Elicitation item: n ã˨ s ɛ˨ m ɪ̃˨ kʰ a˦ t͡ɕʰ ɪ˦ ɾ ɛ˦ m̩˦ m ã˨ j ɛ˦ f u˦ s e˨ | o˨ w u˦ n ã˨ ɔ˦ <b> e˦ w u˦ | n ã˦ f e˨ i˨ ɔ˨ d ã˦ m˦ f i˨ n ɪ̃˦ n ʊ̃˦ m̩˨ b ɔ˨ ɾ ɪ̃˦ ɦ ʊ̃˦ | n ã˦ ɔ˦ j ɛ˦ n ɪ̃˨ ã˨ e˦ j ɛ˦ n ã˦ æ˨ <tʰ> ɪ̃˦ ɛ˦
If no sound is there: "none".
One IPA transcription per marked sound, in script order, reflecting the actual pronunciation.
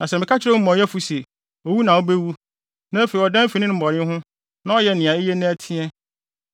b, tʰ

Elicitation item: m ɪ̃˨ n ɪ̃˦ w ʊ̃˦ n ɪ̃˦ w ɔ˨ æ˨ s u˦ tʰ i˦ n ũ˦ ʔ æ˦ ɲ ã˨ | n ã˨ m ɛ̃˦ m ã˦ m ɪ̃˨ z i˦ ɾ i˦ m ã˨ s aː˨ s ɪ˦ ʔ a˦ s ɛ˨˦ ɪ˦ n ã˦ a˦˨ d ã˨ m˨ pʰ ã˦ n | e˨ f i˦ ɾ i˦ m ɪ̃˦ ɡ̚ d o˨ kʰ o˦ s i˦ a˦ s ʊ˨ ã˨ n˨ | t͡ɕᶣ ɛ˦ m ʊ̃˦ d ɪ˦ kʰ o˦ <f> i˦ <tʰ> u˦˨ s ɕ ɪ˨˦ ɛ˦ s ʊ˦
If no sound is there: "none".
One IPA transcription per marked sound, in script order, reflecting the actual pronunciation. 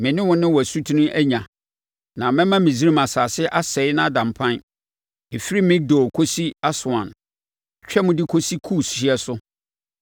s, kʰ

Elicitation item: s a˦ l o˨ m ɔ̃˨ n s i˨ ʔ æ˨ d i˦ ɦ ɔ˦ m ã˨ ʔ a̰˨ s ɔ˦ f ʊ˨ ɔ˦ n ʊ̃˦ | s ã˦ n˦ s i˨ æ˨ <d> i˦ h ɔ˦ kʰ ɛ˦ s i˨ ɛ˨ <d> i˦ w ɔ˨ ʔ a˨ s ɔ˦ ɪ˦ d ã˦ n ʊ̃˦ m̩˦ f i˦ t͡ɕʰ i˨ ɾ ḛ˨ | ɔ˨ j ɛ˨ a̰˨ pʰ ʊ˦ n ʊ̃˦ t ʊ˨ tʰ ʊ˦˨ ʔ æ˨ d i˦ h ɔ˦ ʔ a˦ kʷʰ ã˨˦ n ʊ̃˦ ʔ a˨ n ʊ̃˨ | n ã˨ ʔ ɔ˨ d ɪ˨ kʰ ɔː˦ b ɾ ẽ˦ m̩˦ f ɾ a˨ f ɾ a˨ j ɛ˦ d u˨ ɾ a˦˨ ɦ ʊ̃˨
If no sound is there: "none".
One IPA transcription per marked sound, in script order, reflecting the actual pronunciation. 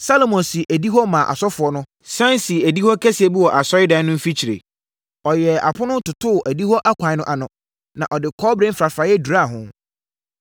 d, b

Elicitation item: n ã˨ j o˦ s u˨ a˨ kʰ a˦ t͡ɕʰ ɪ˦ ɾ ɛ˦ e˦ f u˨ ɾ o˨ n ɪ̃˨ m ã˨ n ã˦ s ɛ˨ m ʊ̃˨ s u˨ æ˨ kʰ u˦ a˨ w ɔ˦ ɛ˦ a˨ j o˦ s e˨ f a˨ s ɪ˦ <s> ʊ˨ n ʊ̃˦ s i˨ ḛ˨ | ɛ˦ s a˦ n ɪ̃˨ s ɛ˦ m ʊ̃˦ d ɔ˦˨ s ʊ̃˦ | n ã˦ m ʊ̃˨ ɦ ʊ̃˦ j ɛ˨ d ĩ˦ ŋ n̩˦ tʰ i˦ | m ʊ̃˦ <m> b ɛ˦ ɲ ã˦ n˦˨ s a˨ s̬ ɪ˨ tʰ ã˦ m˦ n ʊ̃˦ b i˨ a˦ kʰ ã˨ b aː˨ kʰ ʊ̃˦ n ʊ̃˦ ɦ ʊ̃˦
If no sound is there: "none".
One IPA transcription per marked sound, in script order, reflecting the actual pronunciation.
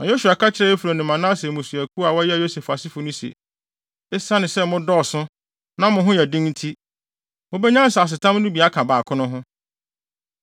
f, none

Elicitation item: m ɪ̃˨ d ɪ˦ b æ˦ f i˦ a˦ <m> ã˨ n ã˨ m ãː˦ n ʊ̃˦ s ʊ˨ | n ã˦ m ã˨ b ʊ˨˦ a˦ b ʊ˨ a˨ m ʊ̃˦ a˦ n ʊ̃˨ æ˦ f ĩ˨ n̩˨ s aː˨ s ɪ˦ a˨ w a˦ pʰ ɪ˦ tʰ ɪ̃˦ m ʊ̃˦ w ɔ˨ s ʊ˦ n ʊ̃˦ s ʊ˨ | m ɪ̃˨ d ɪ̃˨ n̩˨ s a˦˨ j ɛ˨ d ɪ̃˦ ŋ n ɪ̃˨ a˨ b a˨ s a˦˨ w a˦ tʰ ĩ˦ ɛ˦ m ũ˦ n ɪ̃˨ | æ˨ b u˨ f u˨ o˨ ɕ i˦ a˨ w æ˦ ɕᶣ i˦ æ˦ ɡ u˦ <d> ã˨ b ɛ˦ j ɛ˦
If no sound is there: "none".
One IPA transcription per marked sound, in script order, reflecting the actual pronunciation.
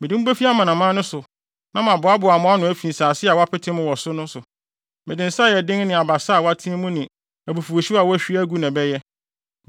m, n

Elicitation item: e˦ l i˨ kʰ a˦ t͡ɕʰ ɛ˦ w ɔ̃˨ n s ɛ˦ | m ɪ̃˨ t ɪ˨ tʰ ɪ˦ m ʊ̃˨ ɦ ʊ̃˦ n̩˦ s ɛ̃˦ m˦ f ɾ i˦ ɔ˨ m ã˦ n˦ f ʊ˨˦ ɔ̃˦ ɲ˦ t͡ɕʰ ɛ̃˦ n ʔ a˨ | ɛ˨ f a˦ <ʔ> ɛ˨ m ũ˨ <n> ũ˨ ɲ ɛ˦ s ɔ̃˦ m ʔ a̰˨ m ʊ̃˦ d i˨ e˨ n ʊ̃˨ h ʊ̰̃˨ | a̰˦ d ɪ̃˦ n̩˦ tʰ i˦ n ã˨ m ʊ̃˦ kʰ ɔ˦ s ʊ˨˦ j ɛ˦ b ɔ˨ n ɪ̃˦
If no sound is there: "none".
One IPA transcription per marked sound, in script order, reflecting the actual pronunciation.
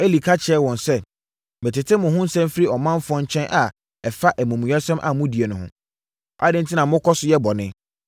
ʔ, m

